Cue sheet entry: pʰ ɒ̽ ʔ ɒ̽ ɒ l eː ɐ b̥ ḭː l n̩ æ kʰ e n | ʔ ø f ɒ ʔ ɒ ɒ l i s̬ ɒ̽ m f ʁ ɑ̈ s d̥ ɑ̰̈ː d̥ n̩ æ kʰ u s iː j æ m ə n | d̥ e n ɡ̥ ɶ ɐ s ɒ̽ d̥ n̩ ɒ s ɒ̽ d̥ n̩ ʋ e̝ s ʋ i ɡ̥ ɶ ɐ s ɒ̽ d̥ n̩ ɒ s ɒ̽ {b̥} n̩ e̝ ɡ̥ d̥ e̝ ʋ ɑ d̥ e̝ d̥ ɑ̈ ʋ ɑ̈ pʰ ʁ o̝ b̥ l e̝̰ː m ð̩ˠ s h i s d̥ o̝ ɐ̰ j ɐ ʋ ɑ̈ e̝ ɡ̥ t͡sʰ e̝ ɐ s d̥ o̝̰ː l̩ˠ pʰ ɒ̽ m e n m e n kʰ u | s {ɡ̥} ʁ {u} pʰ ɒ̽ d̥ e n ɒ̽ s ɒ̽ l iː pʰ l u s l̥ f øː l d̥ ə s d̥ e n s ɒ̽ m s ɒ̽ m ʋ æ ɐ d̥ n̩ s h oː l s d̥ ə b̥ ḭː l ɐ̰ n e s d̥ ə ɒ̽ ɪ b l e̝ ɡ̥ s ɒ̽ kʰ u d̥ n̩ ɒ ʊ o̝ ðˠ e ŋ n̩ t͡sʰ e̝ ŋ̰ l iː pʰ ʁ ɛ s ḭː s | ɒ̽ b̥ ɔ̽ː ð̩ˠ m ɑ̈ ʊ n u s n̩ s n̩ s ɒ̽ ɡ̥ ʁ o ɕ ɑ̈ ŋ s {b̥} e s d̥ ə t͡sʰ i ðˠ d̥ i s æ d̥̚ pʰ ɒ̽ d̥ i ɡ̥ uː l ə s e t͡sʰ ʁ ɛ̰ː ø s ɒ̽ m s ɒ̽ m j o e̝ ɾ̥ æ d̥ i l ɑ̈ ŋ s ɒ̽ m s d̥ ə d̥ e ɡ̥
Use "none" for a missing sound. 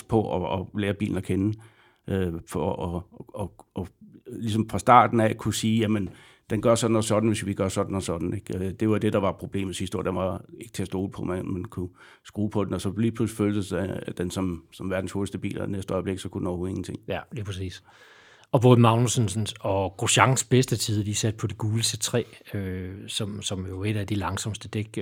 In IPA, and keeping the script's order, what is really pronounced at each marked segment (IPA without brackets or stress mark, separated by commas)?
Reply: d̥, ɡ̥, uː, b̥